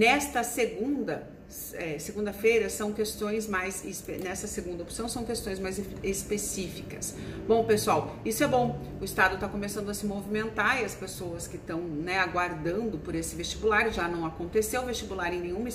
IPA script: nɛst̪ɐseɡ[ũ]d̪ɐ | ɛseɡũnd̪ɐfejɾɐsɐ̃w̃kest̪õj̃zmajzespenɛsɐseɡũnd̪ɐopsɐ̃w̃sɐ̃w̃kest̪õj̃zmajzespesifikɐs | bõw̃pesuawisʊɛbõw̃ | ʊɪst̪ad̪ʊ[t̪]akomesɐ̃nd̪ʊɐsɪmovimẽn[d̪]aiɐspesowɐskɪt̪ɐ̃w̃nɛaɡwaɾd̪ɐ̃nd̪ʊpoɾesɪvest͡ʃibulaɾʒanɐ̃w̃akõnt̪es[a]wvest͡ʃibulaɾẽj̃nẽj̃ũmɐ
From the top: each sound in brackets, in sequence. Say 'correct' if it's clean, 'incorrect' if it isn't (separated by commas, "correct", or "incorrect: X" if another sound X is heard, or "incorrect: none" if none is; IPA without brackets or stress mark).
correct, correct, incorrect: t̪, incorrect: e